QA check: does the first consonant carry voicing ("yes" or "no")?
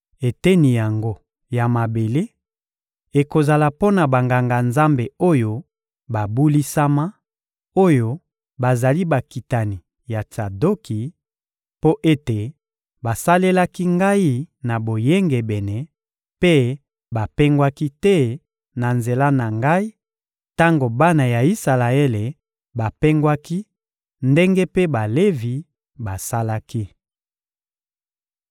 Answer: no